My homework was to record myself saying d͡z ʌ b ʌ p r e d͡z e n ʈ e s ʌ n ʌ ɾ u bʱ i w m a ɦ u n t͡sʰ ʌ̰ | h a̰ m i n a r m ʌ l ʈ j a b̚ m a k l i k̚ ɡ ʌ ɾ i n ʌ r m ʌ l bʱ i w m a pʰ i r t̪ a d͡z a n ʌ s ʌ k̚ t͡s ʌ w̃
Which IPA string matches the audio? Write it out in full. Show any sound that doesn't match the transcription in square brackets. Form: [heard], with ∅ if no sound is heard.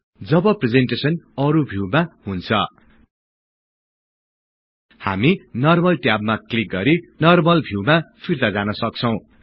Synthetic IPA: d͡z ʌ b ʌ p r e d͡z e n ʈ e s ʌ n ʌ ɾ u bʱ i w m a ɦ u n t͡sʰ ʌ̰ | h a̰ m i n [ʌ] r m ʌ l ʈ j a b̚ m a k l i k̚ ɡ ʌ ɾ i n ʌ r m ʌ l bʱ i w m a pʰ i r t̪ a d͡z a n ʌ s ʌ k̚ [t͡sʰ] ʌ w̃